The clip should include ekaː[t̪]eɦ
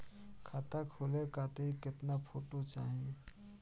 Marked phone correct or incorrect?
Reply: correct